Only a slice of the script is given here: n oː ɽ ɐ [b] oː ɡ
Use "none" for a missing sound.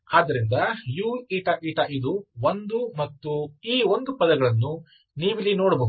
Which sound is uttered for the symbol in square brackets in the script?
b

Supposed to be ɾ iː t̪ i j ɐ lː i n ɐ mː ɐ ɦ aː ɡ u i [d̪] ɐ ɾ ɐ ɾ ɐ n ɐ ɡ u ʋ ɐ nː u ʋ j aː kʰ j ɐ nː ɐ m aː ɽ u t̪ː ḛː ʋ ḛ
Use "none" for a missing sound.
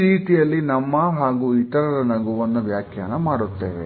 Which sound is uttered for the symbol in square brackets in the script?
t̪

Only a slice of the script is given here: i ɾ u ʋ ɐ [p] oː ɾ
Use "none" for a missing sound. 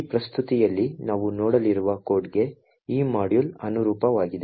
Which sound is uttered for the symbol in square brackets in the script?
k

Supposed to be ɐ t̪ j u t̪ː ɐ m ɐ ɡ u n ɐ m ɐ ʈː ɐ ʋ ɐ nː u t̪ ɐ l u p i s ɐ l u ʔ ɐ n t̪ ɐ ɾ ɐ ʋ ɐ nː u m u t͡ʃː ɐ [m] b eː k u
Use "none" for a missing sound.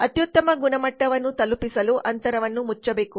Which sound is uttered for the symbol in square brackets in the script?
none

